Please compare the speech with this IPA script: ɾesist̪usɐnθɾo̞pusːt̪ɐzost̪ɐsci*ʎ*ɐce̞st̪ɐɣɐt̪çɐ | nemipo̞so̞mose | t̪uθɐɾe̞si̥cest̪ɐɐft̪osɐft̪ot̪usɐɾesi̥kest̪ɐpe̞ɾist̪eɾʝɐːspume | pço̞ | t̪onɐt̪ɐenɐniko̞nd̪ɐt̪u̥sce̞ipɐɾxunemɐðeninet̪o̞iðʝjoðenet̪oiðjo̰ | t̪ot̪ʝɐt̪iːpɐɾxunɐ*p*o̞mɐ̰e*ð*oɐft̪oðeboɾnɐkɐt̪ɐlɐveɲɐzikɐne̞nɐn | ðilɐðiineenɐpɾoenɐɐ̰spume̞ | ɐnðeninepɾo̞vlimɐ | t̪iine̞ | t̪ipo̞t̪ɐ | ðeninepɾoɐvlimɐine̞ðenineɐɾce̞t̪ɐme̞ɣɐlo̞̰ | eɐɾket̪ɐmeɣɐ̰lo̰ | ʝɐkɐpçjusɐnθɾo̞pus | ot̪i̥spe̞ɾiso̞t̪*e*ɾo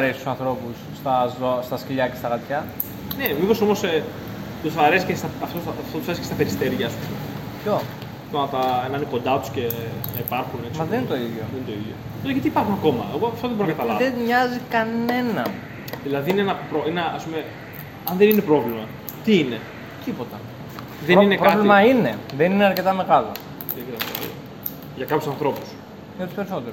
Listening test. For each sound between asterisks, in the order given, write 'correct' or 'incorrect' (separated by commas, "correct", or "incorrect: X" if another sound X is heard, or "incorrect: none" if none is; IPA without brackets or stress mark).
correct, incorrect: k, incorrect: ɣ, correct